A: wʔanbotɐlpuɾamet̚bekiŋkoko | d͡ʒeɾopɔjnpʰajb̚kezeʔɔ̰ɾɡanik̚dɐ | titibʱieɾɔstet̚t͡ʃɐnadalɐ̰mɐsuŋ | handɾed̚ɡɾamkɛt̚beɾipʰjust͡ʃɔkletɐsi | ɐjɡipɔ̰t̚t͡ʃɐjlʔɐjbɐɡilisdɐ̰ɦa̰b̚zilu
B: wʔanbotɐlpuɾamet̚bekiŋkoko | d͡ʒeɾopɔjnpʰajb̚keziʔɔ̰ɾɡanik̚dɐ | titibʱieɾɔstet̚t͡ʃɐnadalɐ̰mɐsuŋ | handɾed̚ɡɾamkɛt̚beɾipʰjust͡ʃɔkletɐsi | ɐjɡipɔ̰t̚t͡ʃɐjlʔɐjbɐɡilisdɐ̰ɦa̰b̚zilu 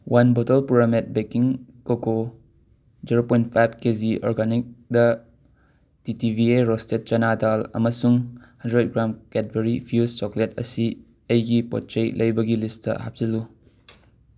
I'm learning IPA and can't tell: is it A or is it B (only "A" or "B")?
B